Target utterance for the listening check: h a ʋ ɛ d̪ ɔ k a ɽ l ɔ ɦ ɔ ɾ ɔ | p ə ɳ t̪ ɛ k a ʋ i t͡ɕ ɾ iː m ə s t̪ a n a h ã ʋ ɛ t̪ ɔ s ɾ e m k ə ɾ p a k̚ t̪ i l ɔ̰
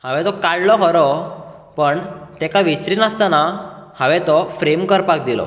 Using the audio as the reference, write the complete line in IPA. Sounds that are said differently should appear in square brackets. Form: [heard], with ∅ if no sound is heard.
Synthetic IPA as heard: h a ʋ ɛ [t̪] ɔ k a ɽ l ɔ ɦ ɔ ɾ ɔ | p ə ɳ t̪ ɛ k a ʋ i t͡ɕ ɾ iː [n] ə s t̪ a n a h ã ʋ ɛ t̪ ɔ [f] ɾ e m k ə ɾ p a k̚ [d̪] i l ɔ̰

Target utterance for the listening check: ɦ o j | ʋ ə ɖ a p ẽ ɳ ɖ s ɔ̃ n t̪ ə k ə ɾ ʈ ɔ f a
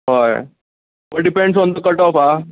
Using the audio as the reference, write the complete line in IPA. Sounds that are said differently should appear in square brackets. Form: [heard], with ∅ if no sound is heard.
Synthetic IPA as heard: ɦ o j | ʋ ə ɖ [i] p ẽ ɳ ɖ s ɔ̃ n [d̪] ə k ə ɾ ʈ ɔ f a

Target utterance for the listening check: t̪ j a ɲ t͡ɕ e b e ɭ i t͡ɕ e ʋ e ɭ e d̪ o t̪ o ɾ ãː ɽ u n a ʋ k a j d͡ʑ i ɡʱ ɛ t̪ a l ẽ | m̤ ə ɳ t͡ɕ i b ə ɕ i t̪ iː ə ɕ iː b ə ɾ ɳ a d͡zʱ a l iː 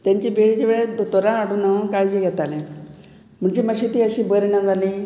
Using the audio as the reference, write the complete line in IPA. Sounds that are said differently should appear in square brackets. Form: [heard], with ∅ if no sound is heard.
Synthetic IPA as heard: t̪ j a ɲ t͡ɕ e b e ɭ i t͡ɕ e ʋ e ɭ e d̪ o t̪ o ɾ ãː ɽ u n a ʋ k a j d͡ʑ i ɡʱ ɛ t̪ a l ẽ | m̤ ə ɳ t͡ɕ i [m] ə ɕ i t̪ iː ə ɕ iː b ə ɾ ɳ a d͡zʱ a l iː

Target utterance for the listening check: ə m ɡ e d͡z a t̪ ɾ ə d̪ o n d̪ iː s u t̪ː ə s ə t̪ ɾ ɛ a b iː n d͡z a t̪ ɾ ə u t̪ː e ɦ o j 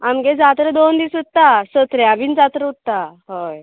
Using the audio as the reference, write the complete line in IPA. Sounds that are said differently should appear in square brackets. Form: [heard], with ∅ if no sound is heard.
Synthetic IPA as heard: [a] m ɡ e d͡z a t̪ ɾ ə d̪ o n d̪ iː s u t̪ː [a] s ə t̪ ɾ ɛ a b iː n d͡z a t̪ ɾ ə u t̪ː [a] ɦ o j

